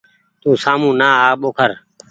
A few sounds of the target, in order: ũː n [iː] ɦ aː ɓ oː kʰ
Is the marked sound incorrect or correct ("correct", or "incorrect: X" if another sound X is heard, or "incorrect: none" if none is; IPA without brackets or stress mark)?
incorrect: aː